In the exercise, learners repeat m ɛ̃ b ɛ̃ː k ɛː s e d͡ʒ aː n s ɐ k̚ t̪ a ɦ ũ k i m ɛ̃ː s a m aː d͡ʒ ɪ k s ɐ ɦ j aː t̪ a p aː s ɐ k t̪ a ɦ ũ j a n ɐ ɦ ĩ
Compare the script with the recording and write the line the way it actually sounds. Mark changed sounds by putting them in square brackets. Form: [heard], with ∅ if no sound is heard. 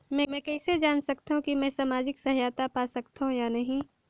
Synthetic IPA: m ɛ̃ [m] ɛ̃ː k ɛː s e d͡ʒ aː n s ɐ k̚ t̪ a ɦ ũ k i m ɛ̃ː s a m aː d͡ʒ ɪ k s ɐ ɦ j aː t̪ a p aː s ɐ k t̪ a ɦ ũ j a n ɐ ɦ ĩ